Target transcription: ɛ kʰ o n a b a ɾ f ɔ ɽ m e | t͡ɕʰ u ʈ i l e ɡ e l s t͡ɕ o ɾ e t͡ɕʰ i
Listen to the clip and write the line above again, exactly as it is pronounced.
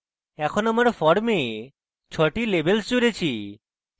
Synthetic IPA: ɛ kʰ o n a m a ɾ f ɔ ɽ m e | t͡ɕʰ ɔ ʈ i l e b e l s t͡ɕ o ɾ e t͡ɕʰ i